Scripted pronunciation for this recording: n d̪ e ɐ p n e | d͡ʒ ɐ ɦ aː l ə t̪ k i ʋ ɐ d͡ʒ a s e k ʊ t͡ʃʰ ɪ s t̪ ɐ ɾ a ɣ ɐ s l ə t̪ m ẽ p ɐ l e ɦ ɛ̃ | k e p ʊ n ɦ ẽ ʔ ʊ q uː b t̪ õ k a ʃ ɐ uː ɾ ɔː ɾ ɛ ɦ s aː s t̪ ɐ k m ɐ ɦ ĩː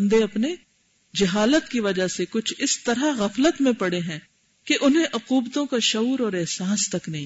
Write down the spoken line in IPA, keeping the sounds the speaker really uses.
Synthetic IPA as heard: n d̪ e ɐ p n e | d͡ʒ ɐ ɦ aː l ə t̪ k i ʋ ɐ d͡ʒ a s e k ʊ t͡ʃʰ ɪ s t̪ ɐ ɾ a ɣ ɐ f l ə t̪ m ẽ p ɐ ɽ e ɦ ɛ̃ | k e ʔ ʊ n ɦ ẽ ʔ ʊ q uː b t̪ õ k a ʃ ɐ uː ɾ ɔː ɾ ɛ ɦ s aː s t̪ ɐ k n ɐ ɦ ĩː